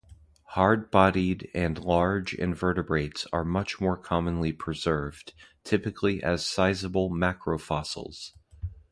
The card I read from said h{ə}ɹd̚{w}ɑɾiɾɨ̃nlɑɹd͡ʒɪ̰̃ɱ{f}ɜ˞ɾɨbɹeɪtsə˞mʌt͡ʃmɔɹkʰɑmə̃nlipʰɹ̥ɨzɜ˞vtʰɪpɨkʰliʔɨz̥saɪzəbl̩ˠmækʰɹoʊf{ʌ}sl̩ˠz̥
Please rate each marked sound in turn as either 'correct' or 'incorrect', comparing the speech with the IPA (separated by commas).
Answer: incorrect, incorrect, incorrect, incorrect